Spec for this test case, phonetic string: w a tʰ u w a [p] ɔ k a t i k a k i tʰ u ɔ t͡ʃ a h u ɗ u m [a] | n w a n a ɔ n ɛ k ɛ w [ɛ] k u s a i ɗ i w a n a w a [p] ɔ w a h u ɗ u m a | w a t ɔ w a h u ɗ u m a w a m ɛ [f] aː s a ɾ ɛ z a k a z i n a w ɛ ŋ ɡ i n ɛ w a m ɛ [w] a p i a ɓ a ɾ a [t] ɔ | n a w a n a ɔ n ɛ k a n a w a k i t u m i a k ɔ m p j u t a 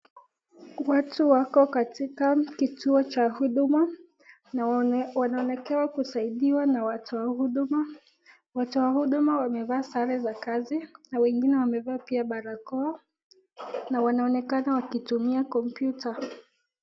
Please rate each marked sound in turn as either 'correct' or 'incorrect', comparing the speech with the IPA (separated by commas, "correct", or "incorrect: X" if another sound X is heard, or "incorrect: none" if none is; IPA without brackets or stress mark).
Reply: incorrect: k, correct, incorrect: a, incorrect: t, incorrect: v, incorrect: v, incorrect: k